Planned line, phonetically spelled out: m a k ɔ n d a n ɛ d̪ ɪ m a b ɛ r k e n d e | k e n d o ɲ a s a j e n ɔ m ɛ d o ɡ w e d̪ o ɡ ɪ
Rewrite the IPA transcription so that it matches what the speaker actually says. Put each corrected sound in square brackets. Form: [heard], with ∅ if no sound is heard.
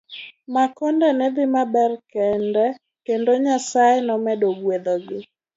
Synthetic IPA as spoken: m a k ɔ n d [ɛ] n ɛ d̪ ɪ m a b ɛ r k [ɛ] n d [ɛ] | k e n d o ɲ a s a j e n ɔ m ɛ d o ɡ w e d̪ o ɡ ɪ

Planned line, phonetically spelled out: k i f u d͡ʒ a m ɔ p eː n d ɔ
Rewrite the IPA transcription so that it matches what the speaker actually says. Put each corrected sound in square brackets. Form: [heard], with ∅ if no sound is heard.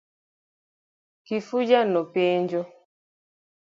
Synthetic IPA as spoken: k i f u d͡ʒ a [n] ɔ p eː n [d͡ʒ] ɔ

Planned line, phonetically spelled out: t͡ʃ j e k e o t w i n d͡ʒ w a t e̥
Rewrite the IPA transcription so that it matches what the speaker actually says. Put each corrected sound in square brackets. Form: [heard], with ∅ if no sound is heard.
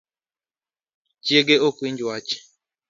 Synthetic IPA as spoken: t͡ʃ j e [ɡ] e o [k] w i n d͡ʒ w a [t͡ʃ] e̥

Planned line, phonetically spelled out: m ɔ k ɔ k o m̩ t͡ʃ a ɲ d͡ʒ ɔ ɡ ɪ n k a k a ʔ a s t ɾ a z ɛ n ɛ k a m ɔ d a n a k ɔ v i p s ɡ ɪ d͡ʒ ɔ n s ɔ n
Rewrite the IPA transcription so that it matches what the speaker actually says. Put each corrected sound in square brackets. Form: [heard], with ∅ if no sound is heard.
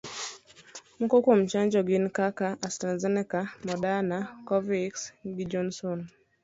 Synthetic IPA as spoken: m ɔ k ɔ k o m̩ t͡ʃ a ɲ d͡ʒ ɔ ɡ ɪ n k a k a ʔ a s t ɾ a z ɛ n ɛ k a m ɔ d a n a k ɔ v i [k] s ɡ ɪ d͡ʒ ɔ n s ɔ n

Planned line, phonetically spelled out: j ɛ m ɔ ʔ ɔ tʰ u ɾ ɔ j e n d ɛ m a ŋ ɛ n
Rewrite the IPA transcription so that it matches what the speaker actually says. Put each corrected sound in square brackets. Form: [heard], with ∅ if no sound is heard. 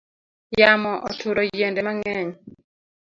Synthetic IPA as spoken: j [a] m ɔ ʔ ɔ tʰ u ɾ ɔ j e n d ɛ m a ŋ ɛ [ɲ]

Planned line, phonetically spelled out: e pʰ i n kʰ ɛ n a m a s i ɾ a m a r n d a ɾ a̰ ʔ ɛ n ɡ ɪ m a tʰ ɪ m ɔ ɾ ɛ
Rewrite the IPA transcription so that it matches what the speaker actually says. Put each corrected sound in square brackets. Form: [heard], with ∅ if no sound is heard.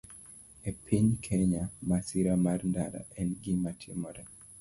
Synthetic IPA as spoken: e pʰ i [ɲ] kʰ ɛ [ɲ] a m a s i ɾ a m a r n d a ɾ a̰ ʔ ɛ n ɡ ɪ m a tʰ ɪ m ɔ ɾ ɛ

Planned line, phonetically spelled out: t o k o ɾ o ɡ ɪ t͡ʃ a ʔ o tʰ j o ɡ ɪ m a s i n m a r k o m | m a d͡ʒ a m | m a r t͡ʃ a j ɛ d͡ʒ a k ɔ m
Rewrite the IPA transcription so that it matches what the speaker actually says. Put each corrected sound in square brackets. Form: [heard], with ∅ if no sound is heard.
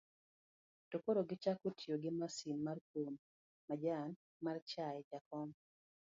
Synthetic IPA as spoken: t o k o ɾ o ɡ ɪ t͡ʃ a [k] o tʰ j o ɡ ɪ m a s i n m a r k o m | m a d͡ʒ a [n] | m a r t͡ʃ a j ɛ d͡ʒ a k ɔ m

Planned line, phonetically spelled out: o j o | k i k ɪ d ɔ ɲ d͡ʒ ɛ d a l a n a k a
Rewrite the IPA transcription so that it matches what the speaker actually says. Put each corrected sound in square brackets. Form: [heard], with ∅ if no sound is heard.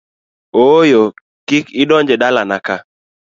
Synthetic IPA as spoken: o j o | k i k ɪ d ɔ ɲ d͡ʒ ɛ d a l a n a k a

